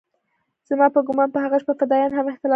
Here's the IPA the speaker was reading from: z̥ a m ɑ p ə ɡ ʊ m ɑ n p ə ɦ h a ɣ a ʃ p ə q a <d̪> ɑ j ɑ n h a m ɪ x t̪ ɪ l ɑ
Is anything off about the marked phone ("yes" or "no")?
no